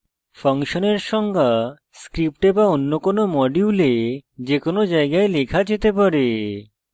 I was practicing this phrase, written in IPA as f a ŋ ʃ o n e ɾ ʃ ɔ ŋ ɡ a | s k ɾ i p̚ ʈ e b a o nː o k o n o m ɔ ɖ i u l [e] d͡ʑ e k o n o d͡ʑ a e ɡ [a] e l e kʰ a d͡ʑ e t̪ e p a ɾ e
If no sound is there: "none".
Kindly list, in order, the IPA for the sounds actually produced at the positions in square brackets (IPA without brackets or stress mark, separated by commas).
e, a